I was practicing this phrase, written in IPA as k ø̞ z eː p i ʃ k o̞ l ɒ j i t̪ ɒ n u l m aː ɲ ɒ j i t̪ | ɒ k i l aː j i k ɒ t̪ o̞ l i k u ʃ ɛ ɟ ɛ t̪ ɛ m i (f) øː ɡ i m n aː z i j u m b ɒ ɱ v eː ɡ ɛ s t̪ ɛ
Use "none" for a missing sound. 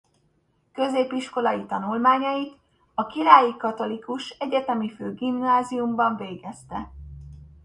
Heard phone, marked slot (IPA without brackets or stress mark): f